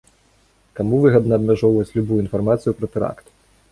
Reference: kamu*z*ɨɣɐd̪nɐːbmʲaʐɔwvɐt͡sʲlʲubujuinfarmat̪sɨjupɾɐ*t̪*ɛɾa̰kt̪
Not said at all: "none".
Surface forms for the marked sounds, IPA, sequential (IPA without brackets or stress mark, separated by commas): v, t̪